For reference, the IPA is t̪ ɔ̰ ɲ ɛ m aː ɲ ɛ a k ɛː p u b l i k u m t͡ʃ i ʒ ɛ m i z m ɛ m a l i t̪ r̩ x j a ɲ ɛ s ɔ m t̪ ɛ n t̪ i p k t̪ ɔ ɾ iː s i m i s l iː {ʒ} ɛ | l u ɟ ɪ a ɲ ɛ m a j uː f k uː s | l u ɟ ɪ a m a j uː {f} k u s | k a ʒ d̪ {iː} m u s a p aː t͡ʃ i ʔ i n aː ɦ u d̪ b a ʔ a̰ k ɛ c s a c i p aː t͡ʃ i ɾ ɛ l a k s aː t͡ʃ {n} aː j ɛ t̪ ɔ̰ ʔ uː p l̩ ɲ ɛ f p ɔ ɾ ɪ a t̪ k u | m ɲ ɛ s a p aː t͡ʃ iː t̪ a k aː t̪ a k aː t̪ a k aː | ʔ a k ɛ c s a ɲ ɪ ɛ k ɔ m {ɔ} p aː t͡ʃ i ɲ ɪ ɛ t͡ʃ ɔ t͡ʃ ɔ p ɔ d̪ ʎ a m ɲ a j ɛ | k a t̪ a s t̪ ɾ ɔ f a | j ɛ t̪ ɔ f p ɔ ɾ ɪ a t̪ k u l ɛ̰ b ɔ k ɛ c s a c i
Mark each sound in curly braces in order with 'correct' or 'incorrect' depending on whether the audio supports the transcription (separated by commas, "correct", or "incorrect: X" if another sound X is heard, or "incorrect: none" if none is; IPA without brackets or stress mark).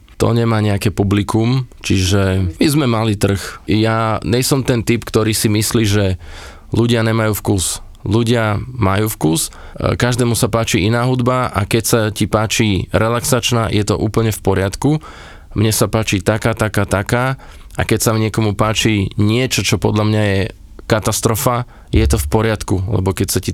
correct, correct, incorrect: ɛː, correct, incorrect: u